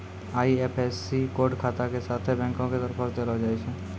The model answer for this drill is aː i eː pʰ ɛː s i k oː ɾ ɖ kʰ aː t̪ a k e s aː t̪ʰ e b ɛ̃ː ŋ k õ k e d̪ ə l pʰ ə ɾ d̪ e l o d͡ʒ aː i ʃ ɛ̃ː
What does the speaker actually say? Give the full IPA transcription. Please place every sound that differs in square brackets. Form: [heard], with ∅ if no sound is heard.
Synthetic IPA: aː i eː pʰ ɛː s i k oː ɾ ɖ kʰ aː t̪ a k e s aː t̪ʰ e b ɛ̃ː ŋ k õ k e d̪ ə [ɾ] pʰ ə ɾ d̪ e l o d͡ʒ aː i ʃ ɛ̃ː